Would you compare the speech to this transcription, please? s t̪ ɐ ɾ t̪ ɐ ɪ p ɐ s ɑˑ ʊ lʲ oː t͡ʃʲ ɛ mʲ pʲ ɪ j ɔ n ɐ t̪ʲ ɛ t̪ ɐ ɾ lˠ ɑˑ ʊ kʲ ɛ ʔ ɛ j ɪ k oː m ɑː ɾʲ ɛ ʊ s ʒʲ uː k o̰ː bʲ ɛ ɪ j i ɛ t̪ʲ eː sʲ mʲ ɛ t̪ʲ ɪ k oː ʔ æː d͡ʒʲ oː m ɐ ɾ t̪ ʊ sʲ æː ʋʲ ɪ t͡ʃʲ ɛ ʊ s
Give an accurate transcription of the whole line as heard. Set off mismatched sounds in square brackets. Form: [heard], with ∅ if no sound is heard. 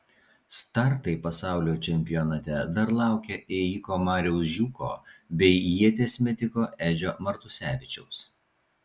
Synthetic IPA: s t̪ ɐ ɾ t̪ ɐ ɪ p ɐ s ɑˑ ʊ lʲ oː t͡ʃʲ ɛ mʲ pʲ ɪ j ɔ n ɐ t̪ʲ ɛ [d̪] ɐ ɾ lˠ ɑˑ ʊ kʲ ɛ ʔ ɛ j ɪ k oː m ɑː ɾʲ ɛ ʊ s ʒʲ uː k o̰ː bʲ ɛ ɪ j i ɛ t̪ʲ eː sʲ mʲ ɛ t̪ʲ ɪ k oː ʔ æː d͡ʒʲ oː m ɐ ɾ t̪ ʊ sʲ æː ʋʲ ɪ t͡ʃʲ ɛ ʊ s

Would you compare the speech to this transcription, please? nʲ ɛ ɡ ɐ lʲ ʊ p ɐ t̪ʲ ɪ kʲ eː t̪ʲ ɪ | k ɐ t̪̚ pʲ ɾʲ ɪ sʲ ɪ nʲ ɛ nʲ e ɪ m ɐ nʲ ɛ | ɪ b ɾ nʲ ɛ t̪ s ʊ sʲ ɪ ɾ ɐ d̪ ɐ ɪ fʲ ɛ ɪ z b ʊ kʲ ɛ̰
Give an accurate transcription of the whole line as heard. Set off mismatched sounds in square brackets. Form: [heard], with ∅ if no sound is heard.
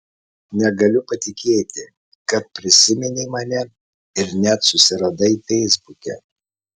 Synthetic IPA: nʲ ɛ ɡ ɐ lʲ ʊ p ɐ t̪ʲ ɪ kʲ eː t̪ʲ ɪ | k ɐ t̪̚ pʲ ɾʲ ɪ sʲ ɪ [mʲ] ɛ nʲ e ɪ m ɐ nʲ ɛ | ɪ [∅] ɾ nʲ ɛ t̪ s ʊ sʲ ɪ ɾ ɐ d̪ ɐ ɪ fʲ ɛ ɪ z b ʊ kʲ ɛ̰

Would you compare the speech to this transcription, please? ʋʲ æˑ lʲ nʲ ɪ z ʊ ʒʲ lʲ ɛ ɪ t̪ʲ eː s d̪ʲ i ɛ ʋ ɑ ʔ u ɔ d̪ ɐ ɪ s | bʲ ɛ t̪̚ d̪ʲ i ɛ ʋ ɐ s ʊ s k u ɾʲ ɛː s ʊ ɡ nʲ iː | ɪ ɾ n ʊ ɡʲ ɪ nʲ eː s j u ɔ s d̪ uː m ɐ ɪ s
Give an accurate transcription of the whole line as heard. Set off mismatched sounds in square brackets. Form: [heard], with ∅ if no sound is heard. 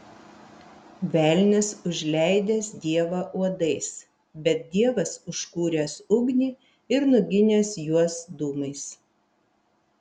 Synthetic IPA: ʋʲ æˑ lʲ nʲ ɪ [s] ʊ ʒʲ lʲ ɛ ɪ [d̪ʲ] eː s d̪ʲ i ɛ ʋ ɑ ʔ u ɔ d̪ ɐ ɪ s | bʲ ɛ t̪̚ d̪ʲ i ɛ ʋ ɐ s ʊ [ʃ] k [uː] ɾʲ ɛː s ʊ ɡ nʲ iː | ɪ ɾ n ʊ ɡʲ ɪ nʲ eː s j u ɔ s d̪ uː m ɐ ɪ s

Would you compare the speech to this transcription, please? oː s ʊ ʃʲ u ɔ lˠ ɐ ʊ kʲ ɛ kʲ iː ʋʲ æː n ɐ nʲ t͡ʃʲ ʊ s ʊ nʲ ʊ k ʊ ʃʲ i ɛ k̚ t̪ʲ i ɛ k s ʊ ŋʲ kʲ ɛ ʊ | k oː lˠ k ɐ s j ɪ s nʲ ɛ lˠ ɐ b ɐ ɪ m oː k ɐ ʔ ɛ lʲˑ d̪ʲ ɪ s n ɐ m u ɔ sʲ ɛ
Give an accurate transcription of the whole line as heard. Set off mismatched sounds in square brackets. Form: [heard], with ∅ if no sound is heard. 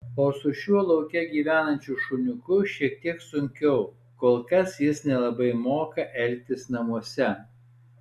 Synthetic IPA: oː s ʊ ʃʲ u ɔ lˠ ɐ ʊ kʲ ɛ [ɡʲ] iː ʋʲ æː n ɐ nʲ t͡ʃʲ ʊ [ʃ] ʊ nʲ ʊ k ʊ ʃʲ i ɛ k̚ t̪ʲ i ɛ k s ʊ ŋʲ kʲ ɛ ʊ | k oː lˠ k ɐ s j ɪ s nʲ ɛ lˠ ɐ b ɐ ɪ m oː k ɐ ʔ ɛ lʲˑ [t̪ʲ] ɪ s n ɐ m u ɔ sʲ ɛ

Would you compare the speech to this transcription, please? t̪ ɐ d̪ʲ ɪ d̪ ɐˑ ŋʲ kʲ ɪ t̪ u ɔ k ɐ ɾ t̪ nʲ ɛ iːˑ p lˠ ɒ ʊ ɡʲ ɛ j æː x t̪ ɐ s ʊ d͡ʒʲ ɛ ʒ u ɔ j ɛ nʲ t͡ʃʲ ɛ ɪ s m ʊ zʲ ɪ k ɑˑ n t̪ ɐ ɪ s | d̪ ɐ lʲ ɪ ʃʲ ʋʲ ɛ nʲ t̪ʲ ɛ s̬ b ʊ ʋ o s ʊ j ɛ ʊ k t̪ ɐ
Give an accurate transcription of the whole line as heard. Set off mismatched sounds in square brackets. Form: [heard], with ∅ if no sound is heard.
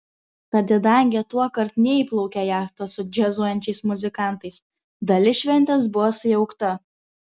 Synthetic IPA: t̪ ɐ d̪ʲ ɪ d̪ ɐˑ ŋʲ [ɡʲ] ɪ t̪ u ɔ k ɐ ɾ t̪ nʲ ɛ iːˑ p lˠ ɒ ʊ [kʲ] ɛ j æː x t̪ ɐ s ʊ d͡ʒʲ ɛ [z] u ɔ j ɛ nʲ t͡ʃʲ ɛ ɪ s m ʊ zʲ ɪ k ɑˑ n t̪ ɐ ɪ s | d̪ ɐ lʲ ɪ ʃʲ ʋʲ ɛ nʲ t̪ʲ ɛ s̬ b ʊ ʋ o s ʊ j ɛ ʊ k t̪ ɐ

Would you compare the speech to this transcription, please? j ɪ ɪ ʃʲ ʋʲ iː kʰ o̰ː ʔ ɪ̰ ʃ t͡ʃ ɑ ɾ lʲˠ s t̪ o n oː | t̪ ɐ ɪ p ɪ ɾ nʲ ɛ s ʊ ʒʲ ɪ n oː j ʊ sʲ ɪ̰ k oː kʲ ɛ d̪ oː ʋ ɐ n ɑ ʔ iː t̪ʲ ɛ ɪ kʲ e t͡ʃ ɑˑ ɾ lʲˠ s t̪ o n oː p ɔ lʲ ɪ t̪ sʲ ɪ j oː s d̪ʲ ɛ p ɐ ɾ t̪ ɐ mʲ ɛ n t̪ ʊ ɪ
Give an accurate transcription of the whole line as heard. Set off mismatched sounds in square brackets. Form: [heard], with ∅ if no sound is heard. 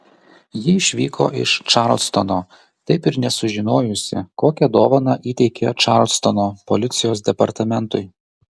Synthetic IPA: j ɪ ɪ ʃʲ ʋʲ iː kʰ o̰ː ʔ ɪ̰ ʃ t͡ʃ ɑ ɾ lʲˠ s t̪ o n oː | t̪ ɐ ɪ p ɪ ɾ nʲ ɛ s ʊ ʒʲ ɪ n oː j ʊ sʲ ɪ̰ k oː kʲ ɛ d̪ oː ʋ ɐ n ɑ ʔ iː t̪ʲ ɛ ɪ kʲ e t͡ʃ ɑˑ ɾ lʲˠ s t̪ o n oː p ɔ lʲ ɪ t̪ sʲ ɪ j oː s d̪ʲ ɛ p ɐ ɾ t̪ ɐ mʲ ɛ n t̪ ʊ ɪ

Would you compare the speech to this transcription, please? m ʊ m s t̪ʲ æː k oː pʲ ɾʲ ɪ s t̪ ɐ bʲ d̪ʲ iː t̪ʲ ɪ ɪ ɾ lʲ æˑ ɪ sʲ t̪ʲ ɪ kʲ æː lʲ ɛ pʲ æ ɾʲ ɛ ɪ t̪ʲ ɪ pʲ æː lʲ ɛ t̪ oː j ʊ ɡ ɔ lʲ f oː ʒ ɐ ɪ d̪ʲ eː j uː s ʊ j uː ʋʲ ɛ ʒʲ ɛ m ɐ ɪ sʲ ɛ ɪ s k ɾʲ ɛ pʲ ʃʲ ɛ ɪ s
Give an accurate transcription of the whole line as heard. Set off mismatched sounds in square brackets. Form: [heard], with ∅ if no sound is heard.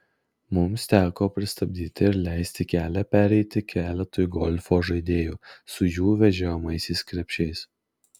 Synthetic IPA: m ʊ m s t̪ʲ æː k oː pʲ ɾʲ ɪ s t̪ ɐ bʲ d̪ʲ iː t̪ʲ ɪ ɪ ɾ lʲ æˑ ɪ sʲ t̪ʲ ɪ kʲ æː lʲ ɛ pʲ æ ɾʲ ɛ ɪ t̪ʲ ɪ [kʲ] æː lʲ ɛ t̪ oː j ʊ ɡ ɔ lʲ f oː ʒ ɐ ɪ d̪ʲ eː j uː s ʊ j uː ʋʲ ɛ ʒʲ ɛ m ɐ ɪ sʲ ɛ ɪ s k ɾʲ ɛ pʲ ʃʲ ɛ ɪ s

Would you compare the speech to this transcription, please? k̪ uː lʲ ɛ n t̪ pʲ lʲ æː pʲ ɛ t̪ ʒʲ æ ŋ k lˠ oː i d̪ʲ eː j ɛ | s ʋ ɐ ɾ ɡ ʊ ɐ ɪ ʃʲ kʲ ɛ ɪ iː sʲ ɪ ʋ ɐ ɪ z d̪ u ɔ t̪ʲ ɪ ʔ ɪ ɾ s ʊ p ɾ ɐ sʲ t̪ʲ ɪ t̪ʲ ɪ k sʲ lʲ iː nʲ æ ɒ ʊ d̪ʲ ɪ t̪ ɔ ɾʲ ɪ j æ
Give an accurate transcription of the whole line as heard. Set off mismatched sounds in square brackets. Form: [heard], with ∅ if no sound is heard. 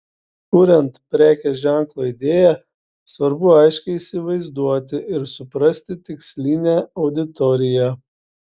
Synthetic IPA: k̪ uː [ɾʲ] ɛ n t̪ pʲ [ɾʲ] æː [kʲ] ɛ [∅] ʒʲ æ ŋ k lˠ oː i d̪ʲ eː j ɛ | s ʋ ɐ ɾ [b] ʊ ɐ ɪ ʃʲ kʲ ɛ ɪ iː sʲ ɪ ʋ ɐ ɪ z d̪ u ɔ t̪ʲ ɪ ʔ ɪ ɾ s ʊ p ɾ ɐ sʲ t̪ʲ ɪ t̪ʲ ɪ k sʲ lʲ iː nʲ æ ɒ ʊ d̪ʲ ɪ t̪ ɔ ɾʲ ɪ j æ

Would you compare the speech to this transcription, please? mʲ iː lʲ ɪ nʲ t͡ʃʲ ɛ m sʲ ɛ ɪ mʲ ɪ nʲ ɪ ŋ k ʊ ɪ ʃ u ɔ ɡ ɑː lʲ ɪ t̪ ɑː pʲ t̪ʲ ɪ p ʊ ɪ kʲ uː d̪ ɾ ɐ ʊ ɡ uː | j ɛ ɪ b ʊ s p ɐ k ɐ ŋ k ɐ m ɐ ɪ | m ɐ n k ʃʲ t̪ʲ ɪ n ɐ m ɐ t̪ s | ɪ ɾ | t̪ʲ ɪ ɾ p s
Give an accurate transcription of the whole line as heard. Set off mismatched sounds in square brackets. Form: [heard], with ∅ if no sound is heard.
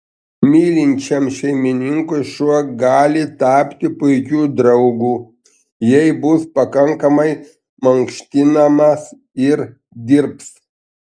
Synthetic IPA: mʲ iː lʲ ɪ nʲ t͡ʃʲ ɛ m [ʃʲ] ɛ ɪ mʲ ɪ nʲ ɪ ŋ k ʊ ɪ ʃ u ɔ ɡ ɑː lʲ ɪ t̪ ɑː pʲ t̪ʲ ɪ p ʊ ɪ kʲ uː d̪ ɾ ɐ ʊ ɡ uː | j ɛ ɪ b ʊ s p ɐ k ɐ ŋ k ɐ m ɐ ɪ | m ɐ [ŋ] k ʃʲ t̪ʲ ɪ n ɐ m ɐ [∅] s | ɪ ɾ | [d̪ʲ] ɪ ɾ p s

